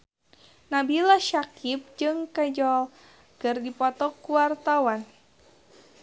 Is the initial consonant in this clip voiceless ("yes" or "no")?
no